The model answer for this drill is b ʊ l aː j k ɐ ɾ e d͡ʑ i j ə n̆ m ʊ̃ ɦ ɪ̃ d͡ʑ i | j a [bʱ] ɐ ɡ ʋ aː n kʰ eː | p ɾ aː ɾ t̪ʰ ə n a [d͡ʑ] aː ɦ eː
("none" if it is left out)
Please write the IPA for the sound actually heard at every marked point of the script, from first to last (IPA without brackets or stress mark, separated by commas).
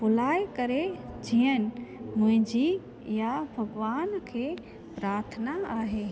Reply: bʱ, none